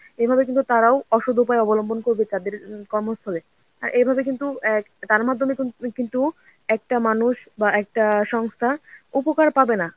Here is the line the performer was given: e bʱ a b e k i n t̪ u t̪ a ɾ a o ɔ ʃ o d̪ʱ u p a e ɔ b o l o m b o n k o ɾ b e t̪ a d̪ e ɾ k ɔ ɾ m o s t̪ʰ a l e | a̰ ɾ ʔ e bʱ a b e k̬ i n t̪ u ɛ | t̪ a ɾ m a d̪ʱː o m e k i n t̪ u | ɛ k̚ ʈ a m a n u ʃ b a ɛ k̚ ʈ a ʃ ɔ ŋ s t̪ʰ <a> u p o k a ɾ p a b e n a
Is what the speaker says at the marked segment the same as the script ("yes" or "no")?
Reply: yes